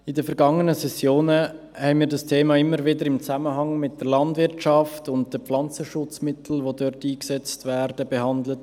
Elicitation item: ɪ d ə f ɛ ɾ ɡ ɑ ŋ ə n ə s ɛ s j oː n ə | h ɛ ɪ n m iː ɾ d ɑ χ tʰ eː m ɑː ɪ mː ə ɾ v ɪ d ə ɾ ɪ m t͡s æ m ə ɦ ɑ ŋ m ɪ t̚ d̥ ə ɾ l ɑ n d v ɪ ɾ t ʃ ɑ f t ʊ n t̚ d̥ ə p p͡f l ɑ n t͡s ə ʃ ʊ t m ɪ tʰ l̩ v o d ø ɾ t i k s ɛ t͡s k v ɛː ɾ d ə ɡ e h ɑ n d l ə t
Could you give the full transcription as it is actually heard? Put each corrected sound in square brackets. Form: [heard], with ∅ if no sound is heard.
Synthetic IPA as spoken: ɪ d ə f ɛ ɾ ɡ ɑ ŋ ə n ə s ɛ s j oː n ə | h ɛ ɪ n m iː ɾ d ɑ [s] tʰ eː m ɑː ɪ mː ə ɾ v ɪ d ə ɾ ɪ m t͡s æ m ə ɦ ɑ ŋ m ɪ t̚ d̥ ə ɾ l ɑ n d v ɪ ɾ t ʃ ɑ f t ʊ n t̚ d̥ ə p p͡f l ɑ n t͡s ə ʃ ʊ [t͡s] m ɪ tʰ l̩ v o d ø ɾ t [iː] k s ɛ t͡s [t] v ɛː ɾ d ə [b] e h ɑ n d l ə t